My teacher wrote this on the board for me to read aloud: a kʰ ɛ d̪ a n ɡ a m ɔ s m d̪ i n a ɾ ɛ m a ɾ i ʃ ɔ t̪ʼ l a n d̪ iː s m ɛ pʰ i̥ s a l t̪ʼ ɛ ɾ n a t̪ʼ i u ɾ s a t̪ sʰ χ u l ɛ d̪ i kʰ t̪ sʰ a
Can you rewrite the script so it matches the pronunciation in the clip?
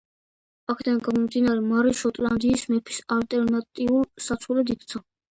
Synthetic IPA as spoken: a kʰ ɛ d̪ a n ɡ a m ɔ m d̪ i n a ɾ ɛ m a ɾ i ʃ ɔ t̪ʼ l a n d̪ iː s m ɛ pʰ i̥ s a l t̪ʼ ɛ ɾ n a t̪ʼ i u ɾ s a t̪ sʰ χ u l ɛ d̪ i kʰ t̪ sʰ a